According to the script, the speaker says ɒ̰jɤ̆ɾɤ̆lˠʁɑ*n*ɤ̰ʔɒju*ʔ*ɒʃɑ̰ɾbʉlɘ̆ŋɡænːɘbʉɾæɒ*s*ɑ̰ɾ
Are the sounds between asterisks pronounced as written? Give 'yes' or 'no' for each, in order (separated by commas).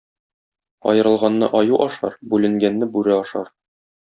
no, yes, no